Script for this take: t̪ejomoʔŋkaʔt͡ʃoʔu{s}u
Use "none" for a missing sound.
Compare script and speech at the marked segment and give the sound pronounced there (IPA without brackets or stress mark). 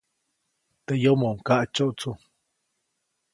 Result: t͡s